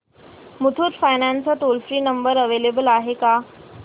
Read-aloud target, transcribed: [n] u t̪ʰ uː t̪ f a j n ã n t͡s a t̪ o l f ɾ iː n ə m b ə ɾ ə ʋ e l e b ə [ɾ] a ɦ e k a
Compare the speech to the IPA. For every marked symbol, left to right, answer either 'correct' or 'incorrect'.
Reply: incorrect: m, incorrect: l

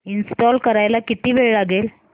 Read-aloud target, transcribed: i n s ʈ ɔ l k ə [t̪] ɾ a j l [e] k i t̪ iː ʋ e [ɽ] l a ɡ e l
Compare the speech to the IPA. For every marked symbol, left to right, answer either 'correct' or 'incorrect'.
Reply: incorrect: none, incorrect: a, incorrect: ɭ

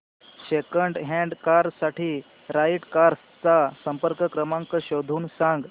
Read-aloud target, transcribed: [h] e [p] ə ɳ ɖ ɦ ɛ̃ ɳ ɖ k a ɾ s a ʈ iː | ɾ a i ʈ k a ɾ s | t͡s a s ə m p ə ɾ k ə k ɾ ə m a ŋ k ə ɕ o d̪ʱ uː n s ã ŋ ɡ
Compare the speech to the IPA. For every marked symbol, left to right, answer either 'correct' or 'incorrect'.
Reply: incorrect: ɕ, incorrect: k

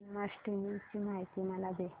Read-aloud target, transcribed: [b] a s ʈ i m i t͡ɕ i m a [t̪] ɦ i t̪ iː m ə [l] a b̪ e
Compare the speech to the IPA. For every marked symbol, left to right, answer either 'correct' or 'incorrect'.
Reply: incorrect: m, incorrect: none, correct

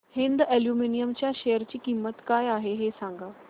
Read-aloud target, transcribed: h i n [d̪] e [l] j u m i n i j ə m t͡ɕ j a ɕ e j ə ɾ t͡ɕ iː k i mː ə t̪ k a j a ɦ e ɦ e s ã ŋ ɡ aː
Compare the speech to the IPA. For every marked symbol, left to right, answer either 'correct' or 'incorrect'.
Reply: correct, correct

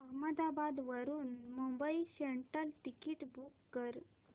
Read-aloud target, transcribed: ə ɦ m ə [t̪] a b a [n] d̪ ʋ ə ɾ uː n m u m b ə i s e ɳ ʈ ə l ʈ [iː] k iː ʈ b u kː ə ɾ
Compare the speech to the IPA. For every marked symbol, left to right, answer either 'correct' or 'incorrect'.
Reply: incorrect: d̪, incorrect: none, incorrect: i

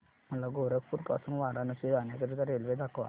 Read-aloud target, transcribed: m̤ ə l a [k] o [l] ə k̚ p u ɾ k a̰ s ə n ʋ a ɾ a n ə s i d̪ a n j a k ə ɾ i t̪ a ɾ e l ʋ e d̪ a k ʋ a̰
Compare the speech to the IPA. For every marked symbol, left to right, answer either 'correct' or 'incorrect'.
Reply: incorrect: ɡ, incorrect: ɾ

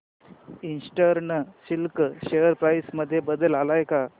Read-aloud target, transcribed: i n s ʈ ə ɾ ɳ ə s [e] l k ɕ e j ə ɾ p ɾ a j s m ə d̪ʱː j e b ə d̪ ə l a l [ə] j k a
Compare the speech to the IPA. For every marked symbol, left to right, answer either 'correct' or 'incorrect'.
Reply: incorrect: i, incorrect: a

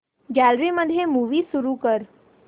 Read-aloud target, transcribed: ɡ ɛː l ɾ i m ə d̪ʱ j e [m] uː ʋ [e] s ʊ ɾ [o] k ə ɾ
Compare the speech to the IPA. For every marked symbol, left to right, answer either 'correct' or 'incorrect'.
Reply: correct, incorrect: i, incorrect: u

